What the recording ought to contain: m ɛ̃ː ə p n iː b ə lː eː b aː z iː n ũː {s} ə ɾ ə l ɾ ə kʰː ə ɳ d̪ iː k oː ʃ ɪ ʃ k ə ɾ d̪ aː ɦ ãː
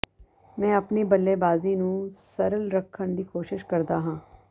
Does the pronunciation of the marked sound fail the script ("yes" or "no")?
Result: no